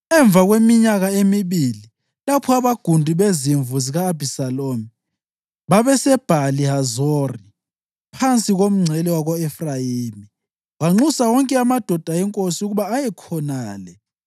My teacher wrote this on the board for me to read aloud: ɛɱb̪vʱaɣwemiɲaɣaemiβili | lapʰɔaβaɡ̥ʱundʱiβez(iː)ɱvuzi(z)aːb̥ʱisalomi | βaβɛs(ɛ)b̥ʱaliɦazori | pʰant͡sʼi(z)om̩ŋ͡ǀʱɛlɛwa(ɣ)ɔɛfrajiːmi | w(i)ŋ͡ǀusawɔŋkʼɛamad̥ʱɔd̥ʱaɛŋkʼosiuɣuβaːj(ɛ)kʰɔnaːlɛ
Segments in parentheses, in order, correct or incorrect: incorrect: i, incorrect: ɣ, correct, incorrect: ɣ, correct, incorrect: a, correct

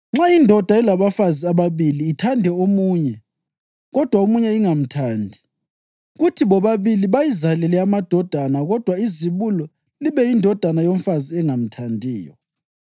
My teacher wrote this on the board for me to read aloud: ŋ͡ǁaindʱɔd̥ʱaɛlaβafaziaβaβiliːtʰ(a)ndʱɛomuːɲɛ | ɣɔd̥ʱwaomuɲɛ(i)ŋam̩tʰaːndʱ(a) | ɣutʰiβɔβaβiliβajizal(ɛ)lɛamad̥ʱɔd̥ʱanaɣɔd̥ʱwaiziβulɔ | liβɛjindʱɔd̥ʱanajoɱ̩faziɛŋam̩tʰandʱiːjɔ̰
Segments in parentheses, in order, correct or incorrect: correct, correct, incorrect: i, correct

